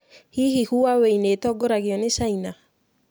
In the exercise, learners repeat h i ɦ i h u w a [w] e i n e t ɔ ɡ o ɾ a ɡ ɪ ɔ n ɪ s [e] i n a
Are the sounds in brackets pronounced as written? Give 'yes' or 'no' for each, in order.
yes, no

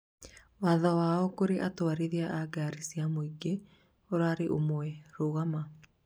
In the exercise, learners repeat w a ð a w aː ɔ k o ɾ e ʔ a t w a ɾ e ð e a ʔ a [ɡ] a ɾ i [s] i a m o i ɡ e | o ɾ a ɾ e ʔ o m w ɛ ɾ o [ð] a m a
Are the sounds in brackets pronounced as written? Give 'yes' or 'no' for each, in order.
yes, yes, no

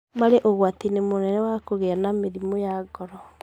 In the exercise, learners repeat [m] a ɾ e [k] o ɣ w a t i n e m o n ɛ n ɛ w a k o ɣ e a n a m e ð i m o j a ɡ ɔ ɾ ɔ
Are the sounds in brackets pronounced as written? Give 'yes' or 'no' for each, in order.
yes, no

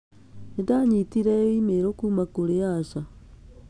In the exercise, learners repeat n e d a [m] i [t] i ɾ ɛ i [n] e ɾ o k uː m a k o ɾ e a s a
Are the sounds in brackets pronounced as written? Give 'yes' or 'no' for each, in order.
no, yes, no

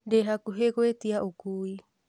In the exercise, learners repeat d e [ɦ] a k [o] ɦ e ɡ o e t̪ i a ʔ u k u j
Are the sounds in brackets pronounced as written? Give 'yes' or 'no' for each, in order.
yes, no

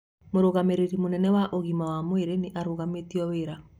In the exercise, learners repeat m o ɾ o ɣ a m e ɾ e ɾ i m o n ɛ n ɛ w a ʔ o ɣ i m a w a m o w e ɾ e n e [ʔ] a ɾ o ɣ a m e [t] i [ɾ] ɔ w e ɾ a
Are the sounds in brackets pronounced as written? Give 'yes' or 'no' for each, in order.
yes, yes, no

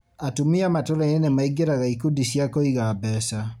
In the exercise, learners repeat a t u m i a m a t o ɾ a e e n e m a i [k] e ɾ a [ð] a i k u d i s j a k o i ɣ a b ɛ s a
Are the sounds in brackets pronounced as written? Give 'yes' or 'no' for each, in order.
no, no

